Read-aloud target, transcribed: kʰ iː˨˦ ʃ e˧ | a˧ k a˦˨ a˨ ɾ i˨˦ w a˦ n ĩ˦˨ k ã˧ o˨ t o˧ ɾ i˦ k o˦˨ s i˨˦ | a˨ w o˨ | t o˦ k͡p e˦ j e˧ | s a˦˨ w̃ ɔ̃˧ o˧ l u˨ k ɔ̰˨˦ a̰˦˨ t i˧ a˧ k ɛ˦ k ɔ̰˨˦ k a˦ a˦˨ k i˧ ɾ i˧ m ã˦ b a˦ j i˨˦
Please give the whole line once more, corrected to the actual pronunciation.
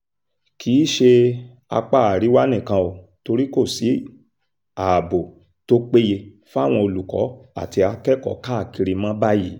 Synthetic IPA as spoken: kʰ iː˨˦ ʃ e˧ | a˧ k͡p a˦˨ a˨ ɾ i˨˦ w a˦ n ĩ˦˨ k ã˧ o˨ t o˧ ɾ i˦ k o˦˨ s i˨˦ | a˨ b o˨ | t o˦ k͡p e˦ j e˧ | f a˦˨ w̃ ɔ̃˧ o˧ l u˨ k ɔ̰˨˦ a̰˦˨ t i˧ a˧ k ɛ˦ k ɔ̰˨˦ k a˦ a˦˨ k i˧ ɾ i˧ m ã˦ b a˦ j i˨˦